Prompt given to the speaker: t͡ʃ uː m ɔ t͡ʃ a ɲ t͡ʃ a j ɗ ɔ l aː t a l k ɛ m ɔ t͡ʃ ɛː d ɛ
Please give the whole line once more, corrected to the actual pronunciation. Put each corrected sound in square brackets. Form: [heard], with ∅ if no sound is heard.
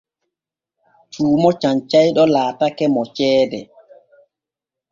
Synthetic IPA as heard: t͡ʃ uː m ɔ t͡ʃ a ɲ t͡ʃ a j ɗ ɔ l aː t a [∅] k ɛ m ɔ t͡ʃ ɛː d ɛ